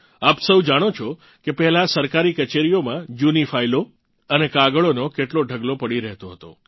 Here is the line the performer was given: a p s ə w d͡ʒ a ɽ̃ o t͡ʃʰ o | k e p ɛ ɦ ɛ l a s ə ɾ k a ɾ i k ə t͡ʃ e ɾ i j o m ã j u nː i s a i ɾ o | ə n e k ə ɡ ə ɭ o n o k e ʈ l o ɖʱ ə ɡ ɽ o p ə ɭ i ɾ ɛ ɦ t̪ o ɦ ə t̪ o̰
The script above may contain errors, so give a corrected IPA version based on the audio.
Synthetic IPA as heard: a p s ə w d͡ʒ a ɽ̃ o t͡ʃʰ o | k e p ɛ ɦ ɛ l a s ə ɾ k a ɾ i k ə t͡ʃ e ɾ i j o m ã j u n i f a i l o | ə n e k a ɡ ə ɭ o n o k e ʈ l o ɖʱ ə ɡ l o p ə ɽ i ɾ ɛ ɦ t̪ o ɦ ə t̪ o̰